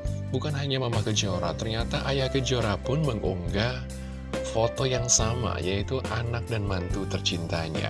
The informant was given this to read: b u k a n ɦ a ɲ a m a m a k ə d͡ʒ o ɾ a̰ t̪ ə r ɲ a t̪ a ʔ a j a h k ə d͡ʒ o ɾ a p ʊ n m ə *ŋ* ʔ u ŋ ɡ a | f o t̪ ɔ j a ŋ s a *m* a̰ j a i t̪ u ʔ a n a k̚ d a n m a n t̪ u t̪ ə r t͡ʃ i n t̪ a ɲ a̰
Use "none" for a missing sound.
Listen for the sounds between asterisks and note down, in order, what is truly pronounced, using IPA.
ŋ, m

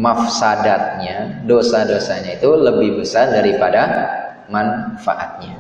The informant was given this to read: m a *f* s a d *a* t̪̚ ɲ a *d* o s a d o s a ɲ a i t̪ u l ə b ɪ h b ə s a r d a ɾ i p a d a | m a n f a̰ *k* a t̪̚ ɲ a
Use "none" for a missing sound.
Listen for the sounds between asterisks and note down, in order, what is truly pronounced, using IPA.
f, a, d, ʔ

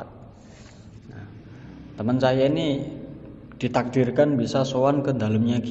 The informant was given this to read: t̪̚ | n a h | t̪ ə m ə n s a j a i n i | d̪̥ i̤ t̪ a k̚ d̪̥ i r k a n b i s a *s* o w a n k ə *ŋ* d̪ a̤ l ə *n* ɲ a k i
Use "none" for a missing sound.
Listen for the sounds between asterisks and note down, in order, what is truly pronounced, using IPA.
s, n, m

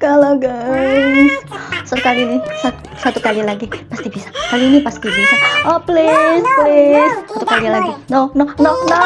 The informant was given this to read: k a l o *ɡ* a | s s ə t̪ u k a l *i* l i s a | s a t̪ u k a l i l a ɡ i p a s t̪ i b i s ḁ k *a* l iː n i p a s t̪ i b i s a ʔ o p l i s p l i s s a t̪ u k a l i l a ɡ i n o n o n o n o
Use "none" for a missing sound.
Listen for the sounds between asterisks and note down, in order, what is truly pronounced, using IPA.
ɡ, i, a

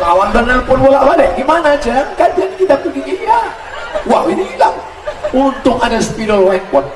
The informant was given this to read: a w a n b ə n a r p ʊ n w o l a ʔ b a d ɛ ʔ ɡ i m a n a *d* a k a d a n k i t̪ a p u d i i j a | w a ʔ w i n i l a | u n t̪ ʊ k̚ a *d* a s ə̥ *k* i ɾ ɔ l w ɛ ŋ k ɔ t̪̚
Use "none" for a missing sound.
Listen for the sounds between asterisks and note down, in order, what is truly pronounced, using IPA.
d͡ʒ, d, p

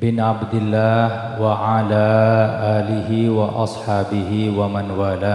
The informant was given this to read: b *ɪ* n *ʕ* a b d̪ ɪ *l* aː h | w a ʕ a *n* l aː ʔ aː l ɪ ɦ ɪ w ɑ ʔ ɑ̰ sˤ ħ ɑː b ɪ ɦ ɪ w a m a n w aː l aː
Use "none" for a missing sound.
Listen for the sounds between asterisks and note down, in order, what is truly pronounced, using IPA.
ɪ, ʕ, lː, none

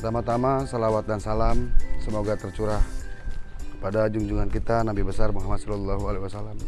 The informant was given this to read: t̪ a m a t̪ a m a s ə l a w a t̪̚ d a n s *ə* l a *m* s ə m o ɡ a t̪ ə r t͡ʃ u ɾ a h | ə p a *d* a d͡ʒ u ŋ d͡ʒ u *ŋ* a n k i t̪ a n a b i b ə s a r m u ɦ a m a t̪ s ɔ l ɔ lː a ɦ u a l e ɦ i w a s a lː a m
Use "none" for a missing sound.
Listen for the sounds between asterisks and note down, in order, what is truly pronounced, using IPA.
a, m, d, ŋ

